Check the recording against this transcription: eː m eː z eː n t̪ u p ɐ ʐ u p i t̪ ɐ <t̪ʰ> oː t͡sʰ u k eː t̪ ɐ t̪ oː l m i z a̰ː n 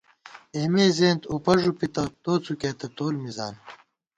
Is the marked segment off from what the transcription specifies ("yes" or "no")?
yes